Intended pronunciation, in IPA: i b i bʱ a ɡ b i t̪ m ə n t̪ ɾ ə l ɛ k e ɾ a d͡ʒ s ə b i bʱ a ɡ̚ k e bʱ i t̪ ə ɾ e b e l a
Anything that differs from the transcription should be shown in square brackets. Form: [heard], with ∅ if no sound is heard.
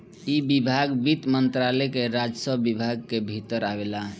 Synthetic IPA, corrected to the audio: i b i bʱ a ɡ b i t̪ m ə n t̪ ɾ [a] l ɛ k e ɾ a d͡ʒ s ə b i bʱ a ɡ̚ k e bʱ i t̪ ə ɾ [a] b e l a